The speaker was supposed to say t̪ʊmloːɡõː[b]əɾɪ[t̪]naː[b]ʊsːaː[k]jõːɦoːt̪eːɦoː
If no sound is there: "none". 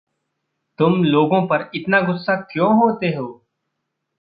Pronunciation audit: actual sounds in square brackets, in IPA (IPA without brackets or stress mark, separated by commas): p, t̪, ɡ, k